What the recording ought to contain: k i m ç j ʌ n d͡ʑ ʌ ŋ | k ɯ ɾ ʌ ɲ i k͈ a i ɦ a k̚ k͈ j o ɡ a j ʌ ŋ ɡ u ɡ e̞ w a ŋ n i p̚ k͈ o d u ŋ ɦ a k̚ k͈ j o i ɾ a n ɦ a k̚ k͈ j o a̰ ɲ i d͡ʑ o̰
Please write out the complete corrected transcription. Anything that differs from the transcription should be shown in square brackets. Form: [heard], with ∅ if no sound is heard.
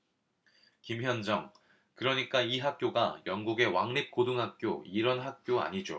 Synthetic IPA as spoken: k i m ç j ʌ n d͡ʑ ʌ ŋ | k ɯ ɾ ʌ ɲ i k͈ a i ɦ a k̚ k͈ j o ɡ a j ʌ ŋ ɡ u ɡ e̞ w a ŋ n i p̚ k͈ o d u ŋ ɦ a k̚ k͈ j o i ɾ [ʌ] n ɦ a k̚ k͈ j o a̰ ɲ i d͡ʑ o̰